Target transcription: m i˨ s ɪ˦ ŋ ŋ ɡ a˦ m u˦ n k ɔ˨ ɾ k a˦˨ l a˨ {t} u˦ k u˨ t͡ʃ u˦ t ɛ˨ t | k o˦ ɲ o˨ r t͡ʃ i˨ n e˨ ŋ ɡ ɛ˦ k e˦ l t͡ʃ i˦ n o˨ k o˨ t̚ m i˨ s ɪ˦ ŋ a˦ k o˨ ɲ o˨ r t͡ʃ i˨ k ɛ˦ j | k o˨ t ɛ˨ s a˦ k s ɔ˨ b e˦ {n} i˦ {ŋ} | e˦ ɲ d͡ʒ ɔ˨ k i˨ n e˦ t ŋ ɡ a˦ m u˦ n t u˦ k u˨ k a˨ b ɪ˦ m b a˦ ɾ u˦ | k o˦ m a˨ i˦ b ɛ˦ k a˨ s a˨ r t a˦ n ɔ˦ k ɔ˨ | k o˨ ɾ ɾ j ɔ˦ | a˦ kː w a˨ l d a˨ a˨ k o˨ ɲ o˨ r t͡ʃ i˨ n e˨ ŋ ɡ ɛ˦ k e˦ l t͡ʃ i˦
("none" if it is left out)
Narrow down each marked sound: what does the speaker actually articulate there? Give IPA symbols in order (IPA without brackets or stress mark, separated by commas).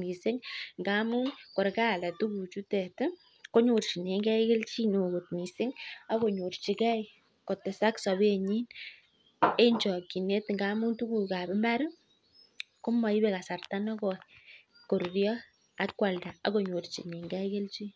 t, ɲ, n